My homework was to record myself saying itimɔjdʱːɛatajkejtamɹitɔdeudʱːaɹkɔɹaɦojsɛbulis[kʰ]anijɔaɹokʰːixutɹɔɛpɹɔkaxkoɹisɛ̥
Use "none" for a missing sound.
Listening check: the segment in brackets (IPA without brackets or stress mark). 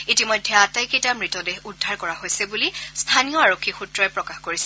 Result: tʰ